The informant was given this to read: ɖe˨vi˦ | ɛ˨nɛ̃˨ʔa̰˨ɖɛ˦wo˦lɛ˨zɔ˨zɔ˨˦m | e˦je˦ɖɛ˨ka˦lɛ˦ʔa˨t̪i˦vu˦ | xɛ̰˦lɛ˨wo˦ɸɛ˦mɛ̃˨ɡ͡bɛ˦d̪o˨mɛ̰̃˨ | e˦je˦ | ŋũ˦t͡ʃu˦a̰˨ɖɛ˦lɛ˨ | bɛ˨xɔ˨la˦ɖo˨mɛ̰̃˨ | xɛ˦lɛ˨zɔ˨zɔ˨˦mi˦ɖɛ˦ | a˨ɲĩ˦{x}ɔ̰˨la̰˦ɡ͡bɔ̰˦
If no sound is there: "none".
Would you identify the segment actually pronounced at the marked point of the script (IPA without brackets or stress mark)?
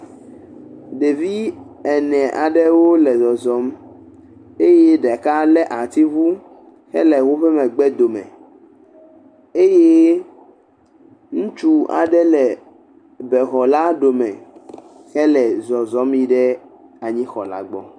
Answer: x